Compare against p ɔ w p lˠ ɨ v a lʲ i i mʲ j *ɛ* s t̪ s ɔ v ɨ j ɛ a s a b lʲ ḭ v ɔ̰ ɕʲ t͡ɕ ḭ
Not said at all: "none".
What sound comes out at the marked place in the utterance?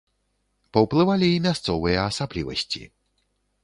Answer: a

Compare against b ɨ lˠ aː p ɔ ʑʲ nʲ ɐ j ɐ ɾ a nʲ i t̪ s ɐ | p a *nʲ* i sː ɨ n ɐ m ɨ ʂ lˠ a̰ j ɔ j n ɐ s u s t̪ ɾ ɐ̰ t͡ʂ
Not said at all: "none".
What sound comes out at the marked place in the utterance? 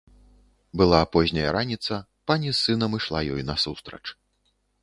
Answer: nʲ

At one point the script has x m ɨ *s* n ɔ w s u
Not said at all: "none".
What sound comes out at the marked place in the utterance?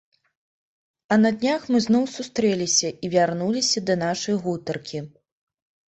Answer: z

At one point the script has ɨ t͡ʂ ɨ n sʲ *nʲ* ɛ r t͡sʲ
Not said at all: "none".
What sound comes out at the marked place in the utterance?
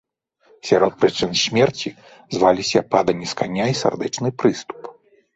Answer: mʲ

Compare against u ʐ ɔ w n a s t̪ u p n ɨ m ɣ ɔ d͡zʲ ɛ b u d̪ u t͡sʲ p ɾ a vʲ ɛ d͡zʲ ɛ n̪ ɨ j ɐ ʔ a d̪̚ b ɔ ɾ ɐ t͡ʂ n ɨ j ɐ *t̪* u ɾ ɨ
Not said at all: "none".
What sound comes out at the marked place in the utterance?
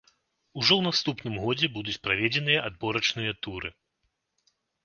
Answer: t̪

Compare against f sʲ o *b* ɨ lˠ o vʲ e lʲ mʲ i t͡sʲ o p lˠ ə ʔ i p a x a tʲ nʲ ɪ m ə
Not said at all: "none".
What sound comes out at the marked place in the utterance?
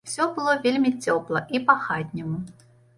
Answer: b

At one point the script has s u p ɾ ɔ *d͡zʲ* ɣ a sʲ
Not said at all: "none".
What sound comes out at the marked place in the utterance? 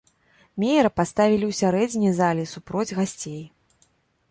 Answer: d͡zʲ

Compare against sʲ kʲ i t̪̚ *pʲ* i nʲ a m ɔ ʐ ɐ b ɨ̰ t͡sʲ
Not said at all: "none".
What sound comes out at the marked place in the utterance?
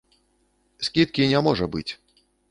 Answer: kʲ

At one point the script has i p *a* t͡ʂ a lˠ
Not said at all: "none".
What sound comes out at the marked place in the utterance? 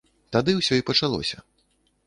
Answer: ɐ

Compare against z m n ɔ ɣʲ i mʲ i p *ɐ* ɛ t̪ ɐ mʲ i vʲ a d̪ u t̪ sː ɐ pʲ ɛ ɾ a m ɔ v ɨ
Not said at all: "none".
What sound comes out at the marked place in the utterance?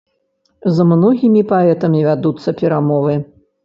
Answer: a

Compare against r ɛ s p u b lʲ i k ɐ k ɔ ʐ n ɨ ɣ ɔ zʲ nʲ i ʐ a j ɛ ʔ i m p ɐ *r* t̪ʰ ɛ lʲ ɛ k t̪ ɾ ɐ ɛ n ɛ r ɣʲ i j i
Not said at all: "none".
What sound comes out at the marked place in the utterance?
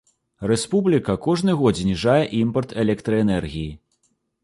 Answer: r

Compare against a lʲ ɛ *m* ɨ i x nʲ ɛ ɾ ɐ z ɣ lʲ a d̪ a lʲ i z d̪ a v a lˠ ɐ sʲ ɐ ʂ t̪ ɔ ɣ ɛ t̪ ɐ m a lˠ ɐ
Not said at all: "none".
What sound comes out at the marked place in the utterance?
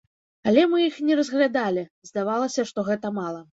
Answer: m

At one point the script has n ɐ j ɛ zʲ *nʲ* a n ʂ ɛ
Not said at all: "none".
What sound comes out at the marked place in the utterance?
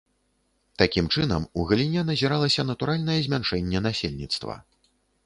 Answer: mʲ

